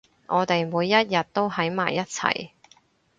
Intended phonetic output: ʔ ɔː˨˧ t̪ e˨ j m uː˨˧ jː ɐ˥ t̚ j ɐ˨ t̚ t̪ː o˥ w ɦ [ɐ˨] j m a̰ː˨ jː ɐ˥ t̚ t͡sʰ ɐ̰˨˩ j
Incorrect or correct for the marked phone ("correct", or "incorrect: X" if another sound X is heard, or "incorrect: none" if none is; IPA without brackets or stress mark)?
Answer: incorrect: ɐ˨˥